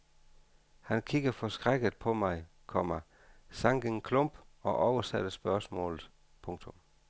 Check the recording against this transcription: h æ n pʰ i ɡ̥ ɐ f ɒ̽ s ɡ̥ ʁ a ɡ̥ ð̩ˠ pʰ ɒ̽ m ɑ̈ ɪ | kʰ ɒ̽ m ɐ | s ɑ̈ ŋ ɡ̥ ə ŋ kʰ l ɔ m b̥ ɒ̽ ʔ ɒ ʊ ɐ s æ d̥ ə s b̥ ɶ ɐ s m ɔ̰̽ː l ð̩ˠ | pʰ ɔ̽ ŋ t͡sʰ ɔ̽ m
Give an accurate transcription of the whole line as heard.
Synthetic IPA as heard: h æ n kʰ i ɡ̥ ɐ f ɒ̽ s ɡ̥ ʁ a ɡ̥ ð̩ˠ pʰ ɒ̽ m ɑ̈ ɪ | kʰ ɒ̽ m ɐ | s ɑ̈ ŋ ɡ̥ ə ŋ kʰ l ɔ m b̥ ɒ̽ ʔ ɒ ʊ ɐ s æ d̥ ə s b̥ ɶ ɐ s m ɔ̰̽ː l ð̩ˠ | pʰ ɔ̽ ŋ t͡sʰ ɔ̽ m